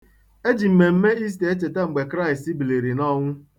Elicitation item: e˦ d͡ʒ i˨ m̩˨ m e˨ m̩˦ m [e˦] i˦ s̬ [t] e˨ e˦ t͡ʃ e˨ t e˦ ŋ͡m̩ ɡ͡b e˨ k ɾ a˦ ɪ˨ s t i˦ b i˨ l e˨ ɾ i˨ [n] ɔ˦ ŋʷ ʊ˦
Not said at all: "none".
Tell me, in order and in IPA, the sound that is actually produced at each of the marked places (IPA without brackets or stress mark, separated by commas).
e˦, t, n